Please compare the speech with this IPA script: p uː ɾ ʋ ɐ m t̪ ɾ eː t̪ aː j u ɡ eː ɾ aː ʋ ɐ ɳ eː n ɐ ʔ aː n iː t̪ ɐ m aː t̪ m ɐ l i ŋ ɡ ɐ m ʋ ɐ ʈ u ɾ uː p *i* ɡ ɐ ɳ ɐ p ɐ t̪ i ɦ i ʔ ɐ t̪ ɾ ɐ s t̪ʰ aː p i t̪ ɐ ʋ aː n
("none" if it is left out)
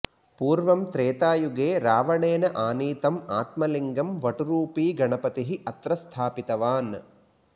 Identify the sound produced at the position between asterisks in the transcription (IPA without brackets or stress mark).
iː